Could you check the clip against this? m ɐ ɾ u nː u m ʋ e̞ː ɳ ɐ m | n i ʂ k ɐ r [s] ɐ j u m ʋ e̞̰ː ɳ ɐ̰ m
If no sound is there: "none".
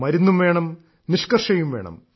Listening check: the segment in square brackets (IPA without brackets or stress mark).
ʂ